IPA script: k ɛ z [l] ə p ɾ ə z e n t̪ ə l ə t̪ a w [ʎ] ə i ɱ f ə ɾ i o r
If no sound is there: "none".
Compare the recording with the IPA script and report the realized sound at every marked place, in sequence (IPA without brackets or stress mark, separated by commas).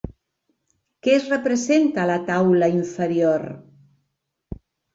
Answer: r, l